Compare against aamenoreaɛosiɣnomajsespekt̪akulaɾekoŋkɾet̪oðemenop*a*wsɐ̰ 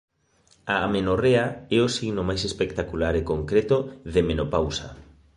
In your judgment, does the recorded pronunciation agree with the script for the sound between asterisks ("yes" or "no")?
yes